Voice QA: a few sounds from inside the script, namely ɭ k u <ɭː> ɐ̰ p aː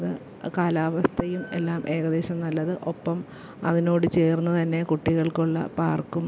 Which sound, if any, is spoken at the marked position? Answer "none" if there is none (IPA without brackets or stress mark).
ɭː